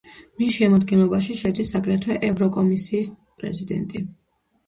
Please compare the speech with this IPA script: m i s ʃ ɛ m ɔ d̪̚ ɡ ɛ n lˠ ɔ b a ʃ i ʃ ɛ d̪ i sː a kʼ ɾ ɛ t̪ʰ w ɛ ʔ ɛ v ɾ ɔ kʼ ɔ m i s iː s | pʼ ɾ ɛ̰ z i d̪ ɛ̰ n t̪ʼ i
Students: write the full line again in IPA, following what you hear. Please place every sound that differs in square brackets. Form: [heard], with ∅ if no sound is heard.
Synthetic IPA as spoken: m i s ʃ ɛ m ɔ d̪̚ ɡ ɛ n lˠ ɔ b a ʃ i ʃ ɛ d̪ i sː a kʼ ɾ ɛ t̪ʰ w ɛ ʔ ɛ v ɾ ɔ kʼ ɔ m i s iː s | pʼ ɾ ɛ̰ z i d̪ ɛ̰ n t̪ʼ i